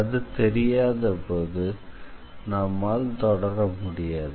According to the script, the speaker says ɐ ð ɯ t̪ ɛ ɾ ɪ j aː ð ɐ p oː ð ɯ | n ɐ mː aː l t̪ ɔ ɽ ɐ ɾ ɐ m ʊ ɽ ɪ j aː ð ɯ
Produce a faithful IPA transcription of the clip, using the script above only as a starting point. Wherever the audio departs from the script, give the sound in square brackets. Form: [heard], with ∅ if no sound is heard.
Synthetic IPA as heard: ɐ ð ɯ t̪ ɛ ɾ ɪ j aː ð ɐ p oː ð ɯ | n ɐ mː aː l t̪ ɔ ɽ ɐ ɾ ɐ m ʊ ɽ ɪ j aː ð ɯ